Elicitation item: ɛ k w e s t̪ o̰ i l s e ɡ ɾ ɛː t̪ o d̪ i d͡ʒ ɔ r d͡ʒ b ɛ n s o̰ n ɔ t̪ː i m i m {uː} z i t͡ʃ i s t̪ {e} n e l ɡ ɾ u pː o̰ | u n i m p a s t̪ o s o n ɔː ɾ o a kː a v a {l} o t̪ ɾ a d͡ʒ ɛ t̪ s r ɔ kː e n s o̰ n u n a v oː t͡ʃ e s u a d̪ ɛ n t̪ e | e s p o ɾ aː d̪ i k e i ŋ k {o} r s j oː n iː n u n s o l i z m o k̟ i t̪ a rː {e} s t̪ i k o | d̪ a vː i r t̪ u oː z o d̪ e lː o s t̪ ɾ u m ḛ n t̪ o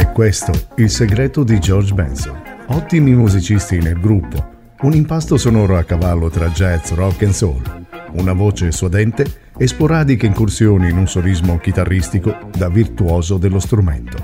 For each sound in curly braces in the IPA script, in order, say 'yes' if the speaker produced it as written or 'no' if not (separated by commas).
no, no, no, no, no